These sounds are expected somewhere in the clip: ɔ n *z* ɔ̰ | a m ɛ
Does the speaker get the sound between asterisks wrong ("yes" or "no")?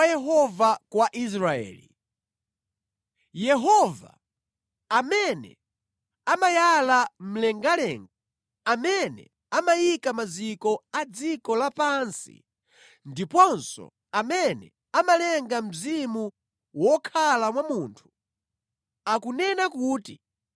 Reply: yes